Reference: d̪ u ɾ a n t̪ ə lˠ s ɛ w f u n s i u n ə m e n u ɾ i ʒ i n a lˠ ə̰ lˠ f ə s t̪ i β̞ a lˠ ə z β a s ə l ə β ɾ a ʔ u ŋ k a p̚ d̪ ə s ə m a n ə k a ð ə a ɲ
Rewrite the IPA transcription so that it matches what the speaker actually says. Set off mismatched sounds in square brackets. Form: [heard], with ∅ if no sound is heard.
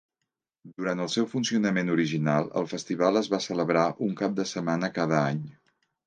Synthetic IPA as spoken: d̪ u ɾ a n t̪ ə lˠ s ɛ w f u n s i u n ə m e n u ɾ i ʒ i n a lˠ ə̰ lˠ f ə s t̪ i β̞ a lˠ ə z β a s ə l ə β ɾ a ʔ u ŋ k a p̚ d̪ ə s ə m a n ə k a ð ə a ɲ